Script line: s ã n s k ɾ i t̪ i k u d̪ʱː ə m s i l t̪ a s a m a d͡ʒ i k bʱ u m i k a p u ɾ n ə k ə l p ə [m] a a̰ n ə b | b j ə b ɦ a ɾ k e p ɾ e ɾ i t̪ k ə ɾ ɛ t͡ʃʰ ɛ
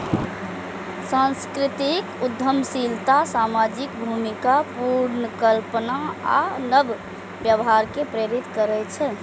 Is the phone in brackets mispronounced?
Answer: yes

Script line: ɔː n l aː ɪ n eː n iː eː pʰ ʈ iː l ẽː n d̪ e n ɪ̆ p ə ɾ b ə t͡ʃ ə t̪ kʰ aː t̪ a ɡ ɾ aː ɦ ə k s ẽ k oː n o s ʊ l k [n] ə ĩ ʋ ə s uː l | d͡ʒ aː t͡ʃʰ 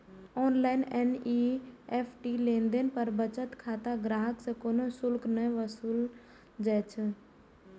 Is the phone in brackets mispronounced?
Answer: no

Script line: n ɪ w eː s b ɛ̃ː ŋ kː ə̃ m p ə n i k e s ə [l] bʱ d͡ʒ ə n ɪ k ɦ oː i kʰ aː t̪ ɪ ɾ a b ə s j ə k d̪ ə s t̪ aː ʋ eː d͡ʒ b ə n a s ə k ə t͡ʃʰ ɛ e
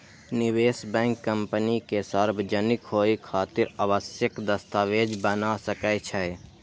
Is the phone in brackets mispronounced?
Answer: yes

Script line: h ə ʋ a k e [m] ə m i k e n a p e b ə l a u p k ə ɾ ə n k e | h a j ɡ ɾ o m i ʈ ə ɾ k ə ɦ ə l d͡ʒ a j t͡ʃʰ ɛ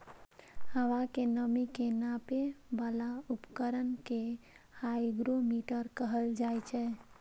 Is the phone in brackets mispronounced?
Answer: yes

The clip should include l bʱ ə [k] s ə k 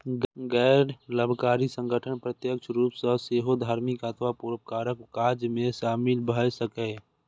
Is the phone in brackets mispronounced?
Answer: yes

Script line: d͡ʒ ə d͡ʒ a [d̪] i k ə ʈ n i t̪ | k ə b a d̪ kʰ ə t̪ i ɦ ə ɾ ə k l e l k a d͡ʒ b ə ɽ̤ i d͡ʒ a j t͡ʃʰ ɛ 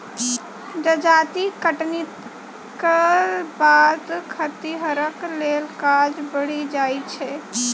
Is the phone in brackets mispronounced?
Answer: yes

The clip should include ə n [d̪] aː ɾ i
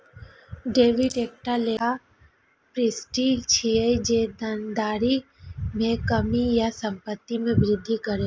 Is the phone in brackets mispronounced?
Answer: no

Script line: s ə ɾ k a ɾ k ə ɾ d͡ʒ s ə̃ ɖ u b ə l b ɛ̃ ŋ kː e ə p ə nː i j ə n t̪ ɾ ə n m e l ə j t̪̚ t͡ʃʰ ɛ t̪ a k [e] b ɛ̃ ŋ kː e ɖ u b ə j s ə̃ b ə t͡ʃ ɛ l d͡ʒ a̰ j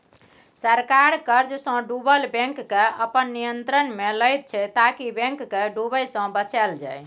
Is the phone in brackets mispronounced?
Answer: yes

